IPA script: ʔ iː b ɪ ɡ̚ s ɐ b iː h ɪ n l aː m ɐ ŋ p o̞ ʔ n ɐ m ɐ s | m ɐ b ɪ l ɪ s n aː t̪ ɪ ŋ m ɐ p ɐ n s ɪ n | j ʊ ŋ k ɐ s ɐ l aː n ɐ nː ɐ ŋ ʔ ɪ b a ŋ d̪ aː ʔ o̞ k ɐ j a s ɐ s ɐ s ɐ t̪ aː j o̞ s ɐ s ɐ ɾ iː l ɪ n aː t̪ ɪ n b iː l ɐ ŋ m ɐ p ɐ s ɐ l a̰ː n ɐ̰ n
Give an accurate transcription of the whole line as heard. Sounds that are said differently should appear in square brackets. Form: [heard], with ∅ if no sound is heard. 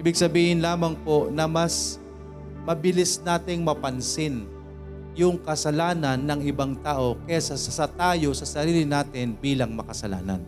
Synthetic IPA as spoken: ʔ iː b ɪ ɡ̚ s ɐ b iː h ɪ n l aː m ɐ ŋ p o̞ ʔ n ɐ m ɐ s | m ɐ b ɪ l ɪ s n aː t̪ ɪ ŋ m ɐ p ɐ n s ɪ n | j ʊ ŋ k ɐ s ɐ l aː n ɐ nː ɐ ŋ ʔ ɪ b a ŋ [t̪] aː ʔ o̞ k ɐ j a s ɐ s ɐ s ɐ t̪ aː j o̞ s ɐ s ɐ ɾ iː l ɪ n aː t̪ ɪ n b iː l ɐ ŋ m ɐ [k] ɐ s ɐ l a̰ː n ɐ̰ n